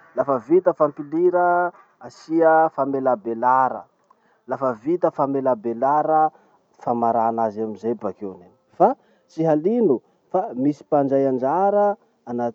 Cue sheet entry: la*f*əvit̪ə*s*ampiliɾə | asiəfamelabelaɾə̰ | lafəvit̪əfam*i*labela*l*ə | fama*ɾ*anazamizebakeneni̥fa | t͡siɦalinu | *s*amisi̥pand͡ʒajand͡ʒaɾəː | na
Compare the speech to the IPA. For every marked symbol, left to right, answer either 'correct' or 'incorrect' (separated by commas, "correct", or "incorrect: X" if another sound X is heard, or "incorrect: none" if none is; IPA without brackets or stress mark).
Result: correct, incorrect: f, incorrect: e, incorrect: ɾ, correct, incorrect: f